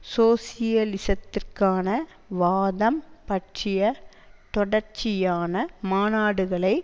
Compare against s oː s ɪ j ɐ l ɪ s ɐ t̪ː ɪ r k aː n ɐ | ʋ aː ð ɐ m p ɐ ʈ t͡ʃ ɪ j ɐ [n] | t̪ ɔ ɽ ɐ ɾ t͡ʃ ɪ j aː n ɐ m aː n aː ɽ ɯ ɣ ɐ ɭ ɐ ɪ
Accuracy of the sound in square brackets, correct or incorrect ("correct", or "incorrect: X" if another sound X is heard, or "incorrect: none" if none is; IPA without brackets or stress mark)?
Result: incorrect: none